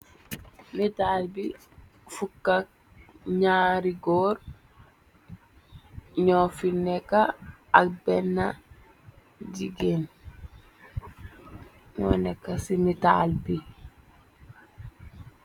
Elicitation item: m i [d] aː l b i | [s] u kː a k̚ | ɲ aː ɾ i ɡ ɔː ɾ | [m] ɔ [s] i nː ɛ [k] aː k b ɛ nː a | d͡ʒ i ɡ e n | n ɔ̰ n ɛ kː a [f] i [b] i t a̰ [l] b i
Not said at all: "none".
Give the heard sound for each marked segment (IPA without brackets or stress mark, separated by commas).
t, f, ɲ, f, k, s, m, l